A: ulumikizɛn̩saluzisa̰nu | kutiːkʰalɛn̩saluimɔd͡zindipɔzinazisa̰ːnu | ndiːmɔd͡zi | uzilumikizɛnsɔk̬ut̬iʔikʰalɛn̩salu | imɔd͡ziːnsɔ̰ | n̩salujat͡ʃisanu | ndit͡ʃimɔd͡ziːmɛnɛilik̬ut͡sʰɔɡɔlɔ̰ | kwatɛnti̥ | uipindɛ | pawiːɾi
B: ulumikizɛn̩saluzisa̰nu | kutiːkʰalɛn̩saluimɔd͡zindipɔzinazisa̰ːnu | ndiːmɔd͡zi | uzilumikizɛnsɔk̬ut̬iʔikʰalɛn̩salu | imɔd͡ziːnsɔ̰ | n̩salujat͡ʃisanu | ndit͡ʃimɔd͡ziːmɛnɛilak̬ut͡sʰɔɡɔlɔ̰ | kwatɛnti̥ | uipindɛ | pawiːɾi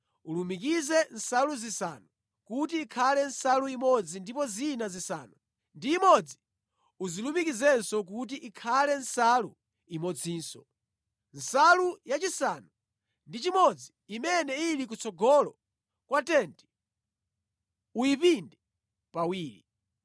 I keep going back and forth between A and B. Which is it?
A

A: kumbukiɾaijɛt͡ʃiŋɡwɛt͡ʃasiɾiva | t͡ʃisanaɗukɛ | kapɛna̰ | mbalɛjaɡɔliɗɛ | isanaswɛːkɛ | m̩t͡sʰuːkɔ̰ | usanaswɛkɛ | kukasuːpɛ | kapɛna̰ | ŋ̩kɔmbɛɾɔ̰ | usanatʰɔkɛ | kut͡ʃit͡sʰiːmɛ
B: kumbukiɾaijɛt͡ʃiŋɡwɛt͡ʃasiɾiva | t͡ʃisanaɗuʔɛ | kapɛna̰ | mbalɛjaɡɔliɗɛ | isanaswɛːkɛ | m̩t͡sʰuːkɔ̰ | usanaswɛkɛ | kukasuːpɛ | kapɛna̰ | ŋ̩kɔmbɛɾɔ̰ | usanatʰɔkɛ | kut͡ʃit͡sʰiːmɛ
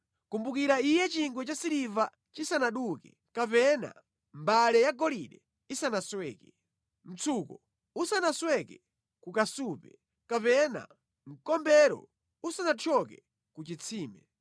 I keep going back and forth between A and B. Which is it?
A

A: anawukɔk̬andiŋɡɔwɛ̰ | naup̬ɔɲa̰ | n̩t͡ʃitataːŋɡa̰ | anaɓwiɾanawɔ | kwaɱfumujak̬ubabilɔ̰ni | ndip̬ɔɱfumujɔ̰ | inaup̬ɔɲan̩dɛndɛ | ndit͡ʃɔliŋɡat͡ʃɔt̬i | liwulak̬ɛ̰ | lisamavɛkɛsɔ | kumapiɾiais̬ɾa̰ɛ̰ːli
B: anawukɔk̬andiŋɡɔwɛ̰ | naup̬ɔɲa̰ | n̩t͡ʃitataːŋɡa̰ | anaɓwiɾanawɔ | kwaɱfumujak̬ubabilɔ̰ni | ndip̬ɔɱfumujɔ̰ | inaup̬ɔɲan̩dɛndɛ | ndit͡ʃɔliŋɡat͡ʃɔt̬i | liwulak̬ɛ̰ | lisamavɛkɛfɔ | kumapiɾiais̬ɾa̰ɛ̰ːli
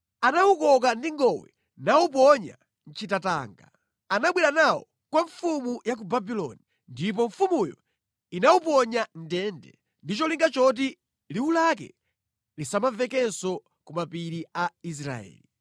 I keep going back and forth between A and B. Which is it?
A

